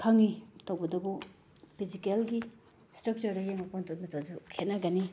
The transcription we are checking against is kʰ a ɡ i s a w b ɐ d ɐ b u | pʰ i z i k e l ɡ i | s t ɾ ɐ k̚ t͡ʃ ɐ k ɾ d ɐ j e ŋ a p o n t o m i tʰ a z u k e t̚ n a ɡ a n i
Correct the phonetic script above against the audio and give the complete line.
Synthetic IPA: kʰ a ŋ i t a w b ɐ d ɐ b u | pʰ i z i k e l ɡ i | s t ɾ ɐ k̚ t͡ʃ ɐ ɾ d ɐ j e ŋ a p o n t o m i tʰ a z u kʰ e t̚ n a ɡ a n i